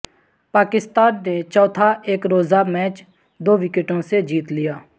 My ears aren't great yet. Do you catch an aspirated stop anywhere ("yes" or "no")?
yes